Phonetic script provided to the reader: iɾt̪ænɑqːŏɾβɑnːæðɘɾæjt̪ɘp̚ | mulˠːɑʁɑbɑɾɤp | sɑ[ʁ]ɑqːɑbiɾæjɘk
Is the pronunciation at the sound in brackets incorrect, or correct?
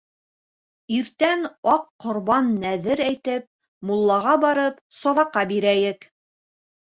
incorrect: ð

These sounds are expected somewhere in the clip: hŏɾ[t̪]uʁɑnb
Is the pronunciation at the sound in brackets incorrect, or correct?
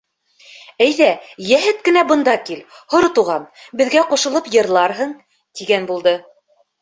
correct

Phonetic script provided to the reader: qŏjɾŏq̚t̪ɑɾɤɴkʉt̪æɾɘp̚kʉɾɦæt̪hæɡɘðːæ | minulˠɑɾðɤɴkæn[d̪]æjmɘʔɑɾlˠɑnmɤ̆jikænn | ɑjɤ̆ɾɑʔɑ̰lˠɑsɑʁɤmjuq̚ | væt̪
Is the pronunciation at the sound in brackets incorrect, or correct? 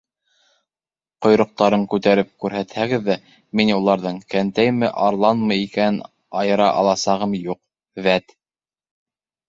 incorrect: t̪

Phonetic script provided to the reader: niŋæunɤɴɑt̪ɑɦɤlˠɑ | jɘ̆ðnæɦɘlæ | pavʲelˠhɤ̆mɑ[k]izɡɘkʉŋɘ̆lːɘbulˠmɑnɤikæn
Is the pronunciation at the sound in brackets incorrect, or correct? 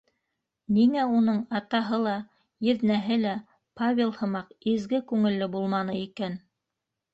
incorrect: q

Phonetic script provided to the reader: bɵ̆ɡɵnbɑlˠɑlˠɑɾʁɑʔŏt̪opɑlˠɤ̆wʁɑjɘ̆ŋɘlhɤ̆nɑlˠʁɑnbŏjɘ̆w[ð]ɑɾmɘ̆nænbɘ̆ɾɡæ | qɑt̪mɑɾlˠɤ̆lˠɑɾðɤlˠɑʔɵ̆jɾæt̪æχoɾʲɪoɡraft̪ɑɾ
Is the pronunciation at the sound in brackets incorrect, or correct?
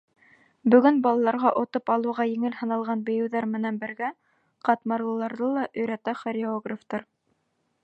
correct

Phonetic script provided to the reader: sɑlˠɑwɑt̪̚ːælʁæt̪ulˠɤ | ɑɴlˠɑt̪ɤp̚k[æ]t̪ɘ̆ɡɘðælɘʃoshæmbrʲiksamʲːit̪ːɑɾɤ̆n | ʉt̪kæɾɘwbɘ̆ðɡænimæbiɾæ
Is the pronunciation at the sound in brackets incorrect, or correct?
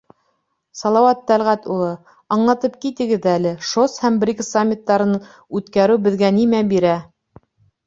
incorrect: i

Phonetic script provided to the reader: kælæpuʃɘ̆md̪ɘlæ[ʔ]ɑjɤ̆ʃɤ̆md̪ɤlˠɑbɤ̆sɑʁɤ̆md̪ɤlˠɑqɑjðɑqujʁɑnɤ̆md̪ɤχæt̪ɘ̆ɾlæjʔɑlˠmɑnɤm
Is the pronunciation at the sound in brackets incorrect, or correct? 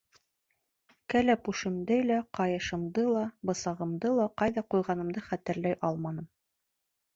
incorrect: q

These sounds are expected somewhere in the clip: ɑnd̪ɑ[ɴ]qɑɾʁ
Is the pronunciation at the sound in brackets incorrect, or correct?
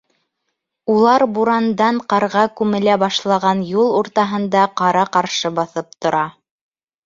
correct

